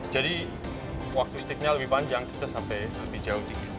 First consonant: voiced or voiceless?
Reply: voiced